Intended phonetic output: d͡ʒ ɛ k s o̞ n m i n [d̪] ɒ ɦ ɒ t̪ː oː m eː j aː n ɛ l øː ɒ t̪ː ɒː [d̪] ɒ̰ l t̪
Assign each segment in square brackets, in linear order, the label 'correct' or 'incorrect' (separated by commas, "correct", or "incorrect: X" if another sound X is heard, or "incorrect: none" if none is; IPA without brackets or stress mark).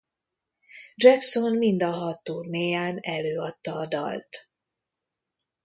correct, correct